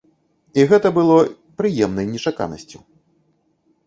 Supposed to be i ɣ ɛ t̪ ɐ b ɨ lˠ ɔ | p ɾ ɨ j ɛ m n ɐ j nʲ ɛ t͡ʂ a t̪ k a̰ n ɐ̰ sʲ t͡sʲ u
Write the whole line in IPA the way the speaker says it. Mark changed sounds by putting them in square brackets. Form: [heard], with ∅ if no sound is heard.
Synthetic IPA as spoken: i ɣ ɛ t̪ ɐ b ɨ lˠ ɔ | p ɾ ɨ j ɛ m n ɐ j nʲ ɛ t͡ʂ a [∅] k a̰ n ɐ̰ sʲ t͡sʲ u